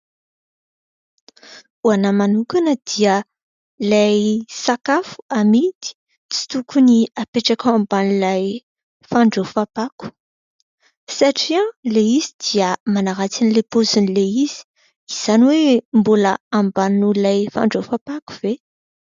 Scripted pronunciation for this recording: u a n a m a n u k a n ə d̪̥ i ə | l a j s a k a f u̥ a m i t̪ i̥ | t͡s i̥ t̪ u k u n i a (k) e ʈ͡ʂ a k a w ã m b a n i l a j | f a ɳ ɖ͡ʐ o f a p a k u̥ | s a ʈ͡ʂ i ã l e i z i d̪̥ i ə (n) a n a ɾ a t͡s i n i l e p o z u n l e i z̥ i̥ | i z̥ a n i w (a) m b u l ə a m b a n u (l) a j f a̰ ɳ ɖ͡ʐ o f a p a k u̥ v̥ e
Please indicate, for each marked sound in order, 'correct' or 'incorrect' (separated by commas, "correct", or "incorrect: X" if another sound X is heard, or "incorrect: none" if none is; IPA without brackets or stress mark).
incorrect: p, incorrect: m, incorrect: e, correct